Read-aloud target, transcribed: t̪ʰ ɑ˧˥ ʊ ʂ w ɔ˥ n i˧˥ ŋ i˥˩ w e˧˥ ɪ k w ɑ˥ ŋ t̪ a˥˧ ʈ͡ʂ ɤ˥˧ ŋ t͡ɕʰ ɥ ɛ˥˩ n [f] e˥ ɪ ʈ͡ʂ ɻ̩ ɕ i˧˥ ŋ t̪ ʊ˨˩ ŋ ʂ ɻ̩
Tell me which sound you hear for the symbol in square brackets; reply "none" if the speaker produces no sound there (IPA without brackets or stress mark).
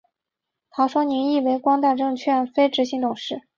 f